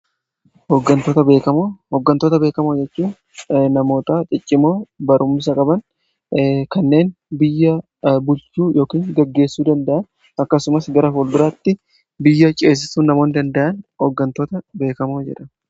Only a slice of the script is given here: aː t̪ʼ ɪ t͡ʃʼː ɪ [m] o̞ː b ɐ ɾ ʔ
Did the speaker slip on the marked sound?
no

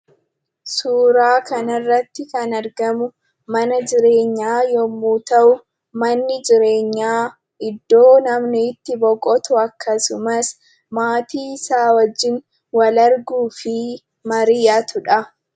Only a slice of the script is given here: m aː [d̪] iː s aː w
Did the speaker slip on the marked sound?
yes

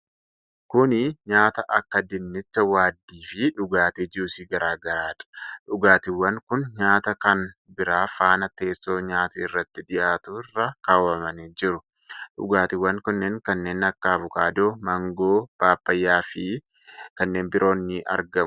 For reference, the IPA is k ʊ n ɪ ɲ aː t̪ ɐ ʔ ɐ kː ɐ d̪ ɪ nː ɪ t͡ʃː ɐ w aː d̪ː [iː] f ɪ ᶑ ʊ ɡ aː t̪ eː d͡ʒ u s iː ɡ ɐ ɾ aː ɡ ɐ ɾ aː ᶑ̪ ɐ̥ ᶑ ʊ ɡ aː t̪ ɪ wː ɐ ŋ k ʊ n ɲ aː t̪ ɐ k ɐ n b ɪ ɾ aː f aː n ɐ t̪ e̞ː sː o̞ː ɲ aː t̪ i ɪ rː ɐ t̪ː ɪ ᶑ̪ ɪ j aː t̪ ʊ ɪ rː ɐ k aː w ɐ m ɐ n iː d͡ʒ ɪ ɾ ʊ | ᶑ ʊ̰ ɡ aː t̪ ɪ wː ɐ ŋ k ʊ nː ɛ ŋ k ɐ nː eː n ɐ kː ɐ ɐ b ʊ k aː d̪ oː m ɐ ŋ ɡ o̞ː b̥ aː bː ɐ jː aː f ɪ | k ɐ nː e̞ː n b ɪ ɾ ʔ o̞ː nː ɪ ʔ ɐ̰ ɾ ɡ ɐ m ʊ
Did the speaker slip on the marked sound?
no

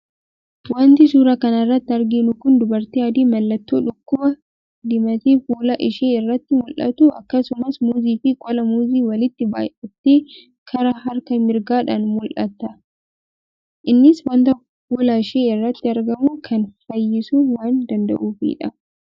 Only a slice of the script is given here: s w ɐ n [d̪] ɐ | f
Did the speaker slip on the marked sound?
yes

